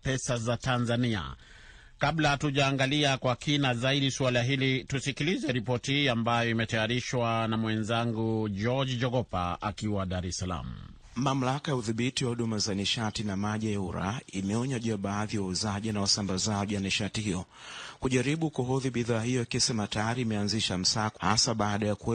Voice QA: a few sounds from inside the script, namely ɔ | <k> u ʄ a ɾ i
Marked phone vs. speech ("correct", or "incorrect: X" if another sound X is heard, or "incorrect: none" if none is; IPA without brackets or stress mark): correct